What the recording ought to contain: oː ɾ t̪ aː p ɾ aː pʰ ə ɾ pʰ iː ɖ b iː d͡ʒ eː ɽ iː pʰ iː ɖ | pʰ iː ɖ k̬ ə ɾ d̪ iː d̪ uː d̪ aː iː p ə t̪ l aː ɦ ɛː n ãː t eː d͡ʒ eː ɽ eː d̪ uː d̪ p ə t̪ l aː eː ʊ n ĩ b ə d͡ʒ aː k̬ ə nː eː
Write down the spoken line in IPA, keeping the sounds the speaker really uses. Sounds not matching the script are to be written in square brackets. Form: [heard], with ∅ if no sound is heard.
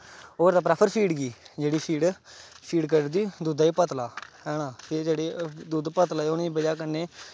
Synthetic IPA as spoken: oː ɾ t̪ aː p ɾ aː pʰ ə ɾ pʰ iː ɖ [ɡ] iː d͡ʒ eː ɽ iː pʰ iː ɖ | pʰ iː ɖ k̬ ə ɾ d̪ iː d̪ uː d̪ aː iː p ə t̪ l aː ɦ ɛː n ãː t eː d͡ʒ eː ɽ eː d̪ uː d̪ p ə t̪ l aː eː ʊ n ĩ b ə d͡ʒ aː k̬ ə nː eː